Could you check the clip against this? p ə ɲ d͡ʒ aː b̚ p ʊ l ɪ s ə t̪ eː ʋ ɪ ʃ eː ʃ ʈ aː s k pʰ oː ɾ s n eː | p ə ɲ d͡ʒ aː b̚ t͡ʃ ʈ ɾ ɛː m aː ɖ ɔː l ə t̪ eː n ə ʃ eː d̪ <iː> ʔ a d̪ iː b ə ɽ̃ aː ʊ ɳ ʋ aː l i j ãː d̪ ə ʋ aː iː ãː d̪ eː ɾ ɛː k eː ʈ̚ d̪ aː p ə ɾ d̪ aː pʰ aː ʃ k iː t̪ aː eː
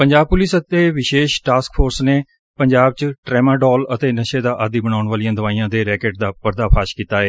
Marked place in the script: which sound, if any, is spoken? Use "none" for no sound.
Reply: aː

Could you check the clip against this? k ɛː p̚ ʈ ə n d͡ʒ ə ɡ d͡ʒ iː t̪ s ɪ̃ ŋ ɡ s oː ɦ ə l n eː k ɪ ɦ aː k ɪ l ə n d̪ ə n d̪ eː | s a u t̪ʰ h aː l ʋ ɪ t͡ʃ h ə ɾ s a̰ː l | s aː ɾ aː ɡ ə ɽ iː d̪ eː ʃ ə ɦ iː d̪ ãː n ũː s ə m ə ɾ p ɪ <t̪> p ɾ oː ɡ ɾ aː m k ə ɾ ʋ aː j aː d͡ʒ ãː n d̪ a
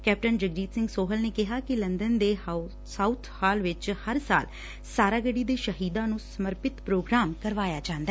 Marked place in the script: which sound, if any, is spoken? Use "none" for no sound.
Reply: t̪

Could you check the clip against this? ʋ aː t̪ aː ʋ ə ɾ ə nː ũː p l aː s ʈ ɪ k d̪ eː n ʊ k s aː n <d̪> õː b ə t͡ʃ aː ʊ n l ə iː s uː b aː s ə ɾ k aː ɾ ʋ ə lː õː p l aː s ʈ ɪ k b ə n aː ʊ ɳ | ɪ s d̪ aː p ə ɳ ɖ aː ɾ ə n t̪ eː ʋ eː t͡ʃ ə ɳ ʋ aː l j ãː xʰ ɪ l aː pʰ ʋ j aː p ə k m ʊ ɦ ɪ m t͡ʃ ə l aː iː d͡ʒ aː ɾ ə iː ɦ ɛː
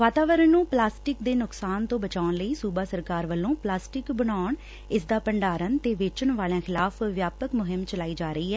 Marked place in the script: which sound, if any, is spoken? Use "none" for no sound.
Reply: t̪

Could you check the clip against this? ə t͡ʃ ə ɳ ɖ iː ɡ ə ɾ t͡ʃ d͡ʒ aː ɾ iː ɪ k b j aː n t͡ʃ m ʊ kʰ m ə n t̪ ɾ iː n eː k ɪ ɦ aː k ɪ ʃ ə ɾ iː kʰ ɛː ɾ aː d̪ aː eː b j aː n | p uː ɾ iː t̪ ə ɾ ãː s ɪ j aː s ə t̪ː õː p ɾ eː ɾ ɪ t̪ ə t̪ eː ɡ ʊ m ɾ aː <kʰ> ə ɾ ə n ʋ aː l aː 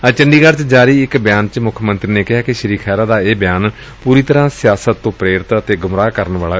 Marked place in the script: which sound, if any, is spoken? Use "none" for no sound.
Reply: k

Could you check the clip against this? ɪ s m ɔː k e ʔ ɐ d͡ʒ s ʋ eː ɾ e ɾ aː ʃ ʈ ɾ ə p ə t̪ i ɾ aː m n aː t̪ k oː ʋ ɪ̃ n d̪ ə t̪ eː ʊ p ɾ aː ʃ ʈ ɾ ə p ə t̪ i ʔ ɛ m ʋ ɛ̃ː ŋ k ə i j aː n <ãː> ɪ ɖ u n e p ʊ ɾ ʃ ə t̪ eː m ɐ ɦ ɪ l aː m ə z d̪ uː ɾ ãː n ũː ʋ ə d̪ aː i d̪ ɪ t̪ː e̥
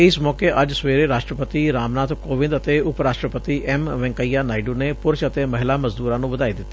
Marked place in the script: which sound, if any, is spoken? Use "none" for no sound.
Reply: aː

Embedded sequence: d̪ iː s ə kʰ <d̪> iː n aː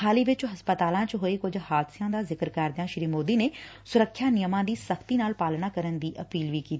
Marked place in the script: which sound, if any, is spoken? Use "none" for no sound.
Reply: t̪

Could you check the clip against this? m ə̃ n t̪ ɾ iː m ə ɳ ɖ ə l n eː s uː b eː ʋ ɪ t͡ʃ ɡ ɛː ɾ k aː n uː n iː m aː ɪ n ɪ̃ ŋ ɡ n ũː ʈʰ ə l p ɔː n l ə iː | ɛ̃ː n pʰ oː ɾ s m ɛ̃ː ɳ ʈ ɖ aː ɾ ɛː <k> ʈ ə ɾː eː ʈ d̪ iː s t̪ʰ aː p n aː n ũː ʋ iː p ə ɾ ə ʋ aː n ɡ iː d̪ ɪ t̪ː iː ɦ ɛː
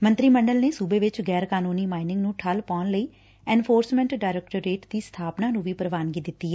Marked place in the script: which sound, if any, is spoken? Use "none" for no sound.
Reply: k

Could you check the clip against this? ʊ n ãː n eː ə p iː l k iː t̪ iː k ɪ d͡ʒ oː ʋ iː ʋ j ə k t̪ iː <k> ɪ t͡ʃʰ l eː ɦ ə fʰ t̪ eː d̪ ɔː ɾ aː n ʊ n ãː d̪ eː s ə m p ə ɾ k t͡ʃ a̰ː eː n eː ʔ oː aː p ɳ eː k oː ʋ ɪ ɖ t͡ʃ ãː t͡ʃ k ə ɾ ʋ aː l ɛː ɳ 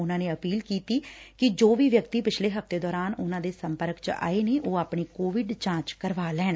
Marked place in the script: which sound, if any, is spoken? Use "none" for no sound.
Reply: p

